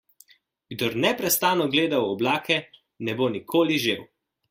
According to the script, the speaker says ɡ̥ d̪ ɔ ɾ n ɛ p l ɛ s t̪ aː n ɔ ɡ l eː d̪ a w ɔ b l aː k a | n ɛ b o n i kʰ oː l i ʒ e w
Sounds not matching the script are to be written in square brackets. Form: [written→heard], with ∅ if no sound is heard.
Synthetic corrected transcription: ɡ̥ d̪ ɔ ɾ n ɛ p [l→ɾ] ɛ s t̪ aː n ɔ ɡ l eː d̪ a w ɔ b l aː k [a→ɛ] | n ɛ b o n i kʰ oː l i ʒ e w